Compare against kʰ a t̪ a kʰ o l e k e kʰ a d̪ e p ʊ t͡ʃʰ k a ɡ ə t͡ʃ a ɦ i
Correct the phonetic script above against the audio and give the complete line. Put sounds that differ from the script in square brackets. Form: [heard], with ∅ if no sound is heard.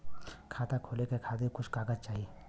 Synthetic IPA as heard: kʰ a t̪ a kʰ o l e k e kʰ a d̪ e [k] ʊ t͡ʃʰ k a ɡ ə t͡ʃ a ɦ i